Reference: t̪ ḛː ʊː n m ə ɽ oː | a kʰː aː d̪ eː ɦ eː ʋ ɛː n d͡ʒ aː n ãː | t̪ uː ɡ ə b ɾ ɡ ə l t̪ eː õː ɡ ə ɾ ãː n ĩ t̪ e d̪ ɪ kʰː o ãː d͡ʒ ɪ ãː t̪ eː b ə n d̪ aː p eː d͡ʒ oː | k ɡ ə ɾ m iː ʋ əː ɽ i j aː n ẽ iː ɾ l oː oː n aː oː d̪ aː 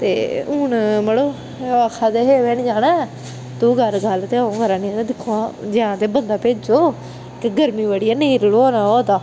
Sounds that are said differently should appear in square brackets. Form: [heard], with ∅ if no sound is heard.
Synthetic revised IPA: t̪ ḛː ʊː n m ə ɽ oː | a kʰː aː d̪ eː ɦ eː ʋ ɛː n d͡ʒ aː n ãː | t̪ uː ɡ ə [∅] ɾ ɡ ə l t̪ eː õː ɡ ə ɾ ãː n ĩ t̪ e d̪ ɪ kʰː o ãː d͡ʒ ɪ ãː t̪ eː b ə n d̪ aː p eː d͡ʒ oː | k ɡ ə ɾ m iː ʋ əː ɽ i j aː n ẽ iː ɾ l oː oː n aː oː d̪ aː